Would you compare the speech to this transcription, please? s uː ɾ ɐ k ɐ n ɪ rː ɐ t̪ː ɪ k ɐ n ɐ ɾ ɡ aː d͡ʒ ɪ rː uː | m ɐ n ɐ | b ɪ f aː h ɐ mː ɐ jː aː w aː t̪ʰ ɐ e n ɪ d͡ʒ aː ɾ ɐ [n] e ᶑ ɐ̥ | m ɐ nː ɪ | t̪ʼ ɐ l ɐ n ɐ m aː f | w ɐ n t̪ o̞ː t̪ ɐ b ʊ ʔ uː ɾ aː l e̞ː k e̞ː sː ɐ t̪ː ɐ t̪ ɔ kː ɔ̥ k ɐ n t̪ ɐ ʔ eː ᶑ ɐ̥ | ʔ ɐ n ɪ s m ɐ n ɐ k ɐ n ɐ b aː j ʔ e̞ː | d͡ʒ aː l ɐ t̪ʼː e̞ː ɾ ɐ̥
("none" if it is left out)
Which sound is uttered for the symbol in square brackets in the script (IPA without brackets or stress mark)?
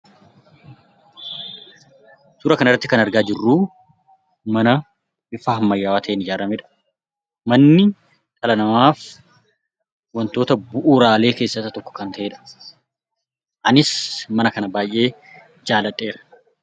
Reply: m